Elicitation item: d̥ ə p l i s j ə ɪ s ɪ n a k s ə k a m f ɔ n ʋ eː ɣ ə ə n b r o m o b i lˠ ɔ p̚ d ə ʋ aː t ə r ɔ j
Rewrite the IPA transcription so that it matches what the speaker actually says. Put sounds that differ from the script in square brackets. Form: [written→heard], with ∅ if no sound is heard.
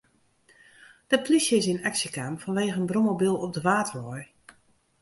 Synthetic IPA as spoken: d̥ ə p l i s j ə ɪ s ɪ n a k s ə k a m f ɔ n ʋ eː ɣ ə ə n b r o m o b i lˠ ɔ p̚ d ə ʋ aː t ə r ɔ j